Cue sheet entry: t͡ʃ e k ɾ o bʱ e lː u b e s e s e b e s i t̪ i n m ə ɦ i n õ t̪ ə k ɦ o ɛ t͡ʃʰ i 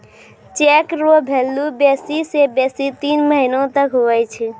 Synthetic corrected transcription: t͡ʃ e k ɾ o bʱ e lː u b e s i s e b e s i t̪ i n m ə ɦ i n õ t̪ ə k ɦ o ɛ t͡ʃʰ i